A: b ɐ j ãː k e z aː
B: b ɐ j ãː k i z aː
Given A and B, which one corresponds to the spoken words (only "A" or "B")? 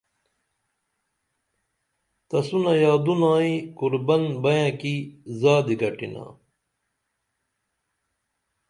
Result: B